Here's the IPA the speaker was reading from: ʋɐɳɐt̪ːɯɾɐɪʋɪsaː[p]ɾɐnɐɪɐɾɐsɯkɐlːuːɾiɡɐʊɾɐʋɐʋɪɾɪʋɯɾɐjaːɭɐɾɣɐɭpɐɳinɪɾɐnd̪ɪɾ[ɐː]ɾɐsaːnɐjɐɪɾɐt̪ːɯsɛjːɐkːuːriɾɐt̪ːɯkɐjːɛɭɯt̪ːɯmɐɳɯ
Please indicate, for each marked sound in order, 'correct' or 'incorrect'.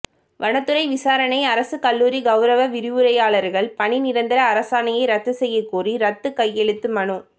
incorrect: none, correct

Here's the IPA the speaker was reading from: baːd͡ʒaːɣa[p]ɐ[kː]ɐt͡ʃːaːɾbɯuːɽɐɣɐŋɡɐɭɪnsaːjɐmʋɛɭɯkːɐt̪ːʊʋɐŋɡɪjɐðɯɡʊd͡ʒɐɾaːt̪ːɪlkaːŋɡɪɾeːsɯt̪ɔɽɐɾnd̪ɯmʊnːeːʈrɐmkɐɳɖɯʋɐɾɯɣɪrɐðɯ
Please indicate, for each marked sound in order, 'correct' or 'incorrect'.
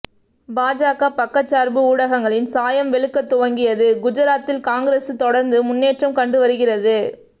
correct, correct

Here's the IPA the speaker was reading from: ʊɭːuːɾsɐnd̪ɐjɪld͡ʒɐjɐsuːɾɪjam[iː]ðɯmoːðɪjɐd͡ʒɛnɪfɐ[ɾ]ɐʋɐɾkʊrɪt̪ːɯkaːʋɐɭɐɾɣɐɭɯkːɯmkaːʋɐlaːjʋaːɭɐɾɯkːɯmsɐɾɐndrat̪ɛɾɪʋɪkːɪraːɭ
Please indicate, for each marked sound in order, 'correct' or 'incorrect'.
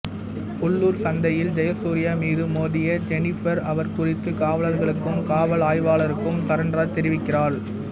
correct, correct

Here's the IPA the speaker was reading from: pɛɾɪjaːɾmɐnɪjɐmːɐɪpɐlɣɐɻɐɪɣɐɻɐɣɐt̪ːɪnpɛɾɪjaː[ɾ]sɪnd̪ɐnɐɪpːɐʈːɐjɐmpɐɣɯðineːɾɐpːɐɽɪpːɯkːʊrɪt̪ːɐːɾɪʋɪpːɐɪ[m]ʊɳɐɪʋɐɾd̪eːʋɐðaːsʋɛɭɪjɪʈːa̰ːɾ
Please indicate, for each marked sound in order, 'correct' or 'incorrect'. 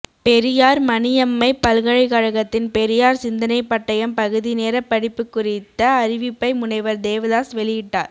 correct, correct

